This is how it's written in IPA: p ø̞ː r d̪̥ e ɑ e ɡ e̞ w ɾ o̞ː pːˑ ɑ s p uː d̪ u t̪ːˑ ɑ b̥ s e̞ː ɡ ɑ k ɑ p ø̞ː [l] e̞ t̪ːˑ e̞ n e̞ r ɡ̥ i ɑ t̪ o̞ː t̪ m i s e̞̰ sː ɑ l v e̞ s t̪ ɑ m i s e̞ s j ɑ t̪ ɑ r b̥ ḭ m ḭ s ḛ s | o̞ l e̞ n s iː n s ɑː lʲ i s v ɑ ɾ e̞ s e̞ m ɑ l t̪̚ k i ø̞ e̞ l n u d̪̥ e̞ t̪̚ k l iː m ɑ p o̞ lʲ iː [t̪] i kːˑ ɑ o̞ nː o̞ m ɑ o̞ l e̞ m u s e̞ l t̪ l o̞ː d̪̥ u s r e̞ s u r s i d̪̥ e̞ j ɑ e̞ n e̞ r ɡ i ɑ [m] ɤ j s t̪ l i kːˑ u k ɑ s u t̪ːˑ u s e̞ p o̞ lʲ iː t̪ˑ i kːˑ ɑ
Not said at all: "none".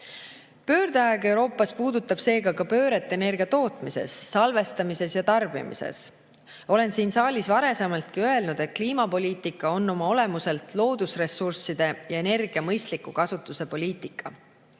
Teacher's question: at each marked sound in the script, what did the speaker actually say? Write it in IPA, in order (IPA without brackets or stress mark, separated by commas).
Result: ɾ, t̪, m